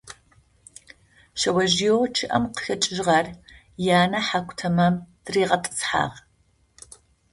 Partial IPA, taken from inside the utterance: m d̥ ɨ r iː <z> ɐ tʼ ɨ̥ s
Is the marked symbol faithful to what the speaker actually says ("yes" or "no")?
no